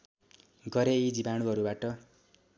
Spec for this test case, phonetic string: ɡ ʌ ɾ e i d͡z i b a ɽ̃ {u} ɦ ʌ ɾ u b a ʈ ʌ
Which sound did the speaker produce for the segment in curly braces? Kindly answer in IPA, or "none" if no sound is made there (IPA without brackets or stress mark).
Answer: u